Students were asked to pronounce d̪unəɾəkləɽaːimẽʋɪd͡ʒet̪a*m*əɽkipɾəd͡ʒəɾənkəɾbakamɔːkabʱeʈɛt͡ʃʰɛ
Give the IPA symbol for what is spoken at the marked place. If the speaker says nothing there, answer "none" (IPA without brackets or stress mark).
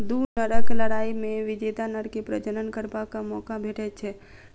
n